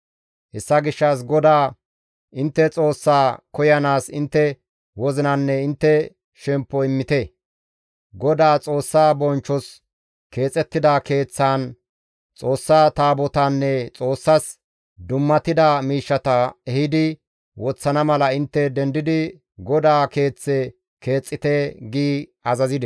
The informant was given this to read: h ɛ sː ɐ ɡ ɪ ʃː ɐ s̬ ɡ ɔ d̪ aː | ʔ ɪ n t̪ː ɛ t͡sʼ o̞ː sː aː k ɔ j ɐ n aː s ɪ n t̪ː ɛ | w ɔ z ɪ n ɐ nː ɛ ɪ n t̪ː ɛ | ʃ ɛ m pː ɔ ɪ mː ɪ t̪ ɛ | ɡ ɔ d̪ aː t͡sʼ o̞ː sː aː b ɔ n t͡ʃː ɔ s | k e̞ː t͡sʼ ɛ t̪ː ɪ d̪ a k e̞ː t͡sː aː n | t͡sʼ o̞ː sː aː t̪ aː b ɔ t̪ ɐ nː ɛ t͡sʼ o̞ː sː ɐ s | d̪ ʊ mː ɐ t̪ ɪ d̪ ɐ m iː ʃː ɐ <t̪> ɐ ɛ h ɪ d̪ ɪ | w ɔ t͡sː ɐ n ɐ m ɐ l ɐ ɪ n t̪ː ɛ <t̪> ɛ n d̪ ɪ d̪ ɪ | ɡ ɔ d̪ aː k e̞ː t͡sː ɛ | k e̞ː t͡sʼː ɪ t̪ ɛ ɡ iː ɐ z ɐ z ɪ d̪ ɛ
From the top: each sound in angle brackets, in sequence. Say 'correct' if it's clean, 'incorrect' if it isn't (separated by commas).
correct, incorrect